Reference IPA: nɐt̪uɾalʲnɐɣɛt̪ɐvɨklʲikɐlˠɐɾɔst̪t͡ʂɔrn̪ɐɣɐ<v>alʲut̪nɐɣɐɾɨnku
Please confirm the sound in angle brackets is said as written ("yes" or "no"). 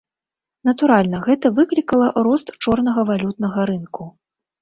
yes